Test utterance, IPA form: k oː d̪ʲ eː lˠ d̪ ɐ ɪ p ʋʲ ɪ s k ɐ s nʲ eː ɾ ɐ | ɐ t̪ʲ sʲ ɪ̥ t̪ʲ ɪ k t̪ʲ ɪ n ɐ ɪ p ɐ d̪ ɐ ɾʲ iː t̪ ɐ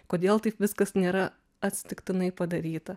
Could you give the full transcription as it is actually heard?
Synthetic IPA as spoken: k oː d̪ʲ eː lˠ t̪ ɐ ɪ p ʋʲ ɪ s k ɐ s nʲ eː ɾ ɐ | ɐ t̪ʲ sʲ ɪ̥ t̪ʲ ɪ k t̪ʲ ɪ n ɐ ɪ p ɐ d̪ ɐ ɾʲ iː t̪ ɐ